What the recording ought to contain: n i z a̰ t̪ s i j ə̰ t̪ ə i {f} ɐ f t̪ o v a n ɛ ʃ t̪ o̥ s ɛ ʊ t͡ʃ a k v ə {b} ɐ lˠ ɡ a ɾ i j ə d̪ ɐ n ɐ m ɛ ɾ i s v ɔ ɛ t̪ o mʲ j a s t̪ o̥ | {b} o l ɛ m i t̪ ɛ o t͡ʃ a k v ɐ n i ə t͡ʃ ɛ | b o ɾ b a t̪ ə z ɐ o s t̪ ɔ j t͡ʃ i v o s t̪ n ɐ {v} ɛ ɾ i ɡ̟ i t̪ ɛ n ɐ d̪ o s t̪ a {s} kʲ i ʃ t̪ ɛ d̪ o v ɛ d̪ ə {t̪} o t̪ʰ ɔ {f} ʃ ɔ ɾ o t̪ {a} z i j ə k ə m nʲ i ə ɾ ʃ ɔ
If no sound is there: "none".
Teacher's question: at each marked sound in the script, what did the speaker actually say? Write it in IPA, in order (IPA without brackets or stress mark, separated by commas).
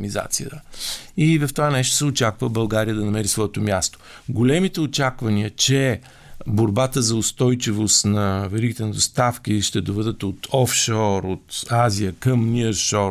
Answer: v, b, ɡ, v, f, t̪, f, a